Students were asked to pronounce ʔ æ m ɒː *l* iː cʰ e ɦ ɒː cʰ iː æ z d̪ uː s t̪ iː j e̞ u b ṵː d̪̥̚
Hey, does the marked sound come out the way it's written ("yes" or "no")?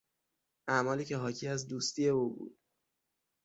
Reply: yes